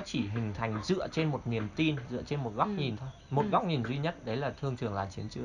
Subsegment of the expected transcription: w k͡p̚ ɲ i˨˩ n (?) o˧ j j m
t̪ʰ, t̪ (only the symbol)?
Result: t̪ʰ